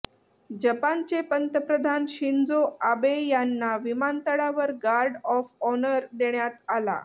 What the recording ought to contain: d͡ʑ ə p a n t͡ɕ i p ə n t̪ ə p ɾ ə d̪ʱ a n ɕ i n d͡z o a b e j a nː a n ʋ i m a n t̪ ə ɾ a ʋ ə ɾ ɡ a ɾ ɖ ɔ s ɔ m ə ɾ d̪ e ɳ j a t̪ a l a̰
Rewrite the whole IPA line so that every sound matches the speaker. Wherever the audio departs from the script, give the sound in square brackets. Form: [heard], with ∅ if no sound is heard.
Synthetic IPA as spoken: d͡ʑ ə p a n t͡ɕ [e] p ə n t̪ ə p ɾ ə d̪ʱ a n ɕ i n d͡z o a b e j a nː a [∅] ʋ i m a n t̪ ə [ɽ] a ʋ ə ɾ ɡ a ɾ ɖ ɔ [f] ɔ [n] ə ɾ d̪ e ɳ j a t̪ a l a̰